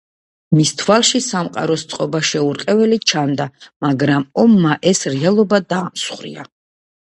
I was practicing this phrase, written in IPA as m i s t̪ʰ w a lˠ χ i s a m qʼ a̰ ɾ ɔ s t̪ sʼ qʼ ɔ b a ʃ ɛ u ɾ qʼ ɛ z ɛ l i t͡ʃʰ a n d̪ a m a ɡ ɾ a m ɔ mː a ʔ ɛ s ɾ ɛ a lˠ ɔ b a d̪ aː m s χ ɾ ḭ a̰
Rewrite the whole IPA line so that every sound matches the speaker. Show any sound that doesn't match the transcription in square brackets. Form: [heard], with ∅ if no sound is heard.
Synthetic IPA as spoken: m i s t̪ʰ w a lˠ [ʃ] i s a m qʼ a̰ ɾ ɔ s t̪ sʼ qʼ ɔ b a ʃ ɛ u ɾ qʼ ɛ [v] ɛ l i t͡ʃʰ a n d̪ a m a ɡ ɾ a m ɔ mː a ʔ ɛ s ɾ ɛ a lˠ ɔ b a d̪ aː m s χ ɾ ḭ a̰

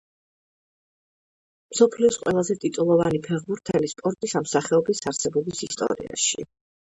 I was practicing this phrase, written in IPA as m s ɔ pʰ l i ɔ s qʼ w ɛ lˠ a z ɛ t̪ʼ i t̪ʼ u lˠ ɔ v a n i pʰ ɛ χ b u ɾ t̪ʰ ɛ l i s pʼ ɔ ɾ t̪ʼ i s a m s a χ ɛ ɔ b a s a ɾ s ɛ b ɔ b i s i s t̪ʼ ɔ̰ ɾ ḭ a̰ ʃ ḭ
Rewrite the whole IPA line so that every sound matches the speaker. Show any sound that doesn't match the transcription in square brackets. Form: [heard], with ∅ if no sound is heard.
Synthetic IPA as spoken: m s ɔ pʰ l i ɔ s qʼ w ɛ lˠ a z ɛ t̪ʼ i t̪ʼ u lˠ ɔ v a n i pʰ ɛ [ʁ] b u ɾ t̪ʰ ɛ l i s pʼ ɔ ɾ t̪ʼ i s a m s a χ ɛ ɔ b [i] s a ɾ s ɛ b ɔ b i s i s t̪ʼ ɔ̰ ɾ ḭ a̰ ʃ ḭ

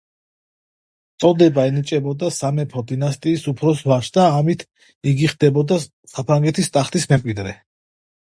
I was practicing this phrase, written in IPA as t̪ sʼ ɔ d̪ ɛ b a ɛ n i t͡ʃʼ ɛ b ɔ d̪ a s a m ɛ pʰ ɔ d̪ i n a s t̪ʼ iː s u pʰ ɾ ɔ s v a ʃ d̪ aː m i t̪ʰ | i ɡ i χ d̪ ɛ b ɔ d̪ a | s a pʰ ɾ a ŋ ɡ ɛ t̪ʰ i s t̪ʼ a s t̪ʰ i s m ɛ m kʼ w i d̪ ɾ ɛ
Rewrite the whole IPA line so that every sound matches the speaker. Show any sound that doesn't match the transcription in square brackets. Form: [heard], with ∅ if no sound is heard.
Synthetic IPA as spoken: t̪ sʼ ɔ d̪ ɛ b a ɛ n i t͡ʃʼ ɛ b ɔ d̪ a s a m ɛ pʰ ɔ d̪ i n a s t̪ʼ iː s u pʰ ɾ ɔ s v a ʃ d̪ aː m i t̪ʰ | i ɡ i χ d̪ ɛ b ɔ d̪ a | s a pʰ ɾ a ŋ ɡ ɛ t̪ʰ i s t̪ʼ a [χ] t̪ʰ i s m ɛ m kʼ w i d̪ ɾ ɛ

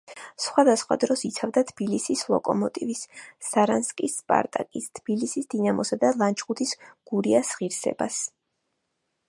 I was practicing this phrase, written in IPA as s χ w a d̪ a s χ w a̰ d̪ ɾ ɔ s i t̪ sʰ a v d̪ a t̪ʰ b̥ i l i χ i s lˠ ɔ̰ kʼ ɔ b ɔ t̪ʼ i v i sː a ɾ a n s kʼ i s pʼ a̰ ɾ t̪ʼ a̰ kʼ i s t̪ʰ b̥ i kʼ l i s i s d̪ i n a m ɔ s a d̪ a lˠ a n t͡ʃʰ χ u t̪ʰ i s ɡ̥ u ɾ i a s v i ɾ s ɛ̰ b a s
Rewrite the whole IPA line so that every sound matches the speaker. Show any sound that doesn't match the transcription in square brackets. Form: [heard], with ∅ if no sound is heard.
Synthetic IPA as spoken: s χ w a d̪ a s χ w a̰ d̪ ɾ ɔ s i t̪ sʰ a v d̪ a t̪ʰ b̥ i l i [s] i s lˠ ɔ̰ kʼ ɔ [m] ɔ t̪ʼ i v i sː a ɾ a n s kʼ i s pʼ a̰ ɾ t̪ʼ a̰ kʼ i s t̪ʰ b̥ i [∅] l i s i s d̪ i n a m ɔ s a d̪ a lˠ a n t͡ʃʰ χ u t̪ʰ i s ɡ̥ u ɾ i a s [ʁ] i ɾ s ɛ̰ b a s

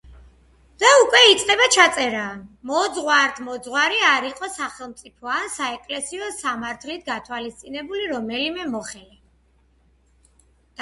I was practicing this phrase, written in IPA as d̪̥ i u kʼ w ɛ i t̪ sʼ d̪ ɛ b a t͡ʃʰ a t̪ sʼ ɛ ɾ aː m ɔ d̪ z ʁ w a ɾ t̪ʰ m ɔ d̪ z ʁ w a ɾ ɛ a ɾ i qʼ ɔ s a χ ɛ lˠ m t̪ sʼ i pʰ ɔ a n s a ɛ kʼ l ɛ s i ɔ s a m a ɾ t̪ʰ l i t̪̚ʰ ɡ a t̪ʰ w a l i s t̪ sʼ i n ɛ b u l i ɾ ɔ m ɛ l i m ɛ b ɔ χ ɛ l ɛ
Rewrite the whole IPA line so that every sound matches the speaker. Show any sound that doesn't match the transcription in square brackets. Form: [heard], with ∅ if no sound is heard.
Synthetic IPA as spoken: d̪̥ [a] u kʼ w ɛ i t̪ sʼ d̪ ɛ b a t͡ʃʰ a t̪ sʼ ɛ ɾ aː m ɔ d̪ z ʁ w a ɾ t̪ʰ m ɔ d̪ z ʁ w a ɾ [i] a ɾ i qʼ ɔ s a χ ɛ lˠ m t̪ sʼ i pʰ ɔ a n s a ɛ kʼ l ɛ s i ɔ s a m a ɾ t̪ʰ l i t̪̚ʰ ɡ a t̪ʰ w a l i s t̪ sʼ i n ɛ b u l i ɾ ɔ m ɛ l i m ɛ [m] ɔ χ ɛ l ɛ

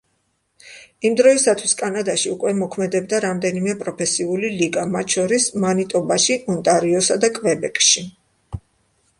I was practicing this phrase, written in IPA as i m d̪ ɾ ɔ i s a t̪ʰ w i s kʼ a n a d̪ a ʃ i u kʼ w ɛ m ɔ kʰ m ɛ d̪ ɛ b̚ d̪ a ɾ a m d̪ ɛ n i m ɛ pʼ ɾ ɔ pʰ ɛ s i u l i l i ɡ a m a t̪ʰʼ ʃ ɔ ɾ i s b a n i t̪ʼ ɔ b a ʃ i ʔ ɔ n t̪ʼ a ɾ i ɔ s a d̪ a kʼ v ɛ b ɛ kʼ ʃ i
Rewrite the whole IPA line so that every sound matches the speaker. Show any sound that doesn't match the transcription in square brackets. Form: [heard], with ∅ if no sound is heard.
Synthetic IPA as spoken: i m d̪ ɾ ɔ i s a t̪ʰ w i s kʼ a n a d̪ a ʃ i u kʼ w ɛ m ɔ kʰ m ɛ d̪ ɛ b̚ d̪ a ɾ a m d̪ ɛ n i m ɛ pʼ ɾ ɔ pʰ ɛ s i u l i l i ɡ a m a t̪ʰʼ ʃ ɔ ɾ i s [m] a n i t̪ʼ ɔ b a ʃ i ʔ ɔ n t̪ʼ a ɾ i ɔ s a d̪ a kʼ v ɛ b ɛ kʼ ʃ i

